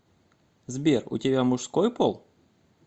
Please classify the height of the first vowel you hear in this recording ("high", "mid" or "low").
mid